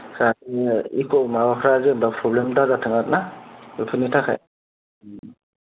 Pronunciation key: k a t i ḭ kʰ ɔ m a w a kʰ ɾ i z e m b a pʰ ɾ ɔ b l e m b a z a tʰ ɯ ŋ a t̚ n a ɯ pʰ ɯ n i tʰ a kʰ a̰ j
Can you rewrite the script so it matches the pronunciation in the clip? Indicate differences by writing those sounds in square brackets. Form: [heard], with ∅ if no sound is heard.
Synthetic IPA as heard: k a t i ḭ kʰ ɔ m a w a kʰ ɾ [a] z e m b a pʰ ɾ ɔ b l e m [d] a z a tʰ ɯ ŋ a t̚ n a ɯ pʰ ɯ n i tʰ a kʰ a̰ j